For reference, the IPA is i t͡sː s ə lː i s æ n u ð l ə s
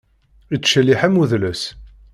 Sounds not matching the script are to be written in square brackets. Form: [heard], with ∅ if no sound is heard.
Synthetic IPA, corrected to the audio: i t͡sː [ʃ] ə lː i [ħ] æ [m] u ð l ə s